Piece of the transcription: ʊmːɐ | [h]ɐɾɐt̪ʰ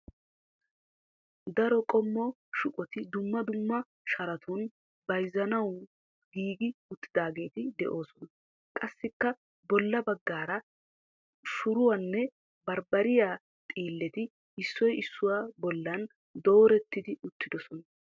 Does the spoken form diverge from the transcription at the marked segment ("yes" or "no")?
yes